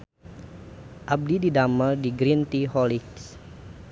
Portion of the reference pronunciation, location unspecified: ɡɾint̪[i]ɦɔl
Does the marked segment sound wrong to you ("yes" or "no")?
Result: no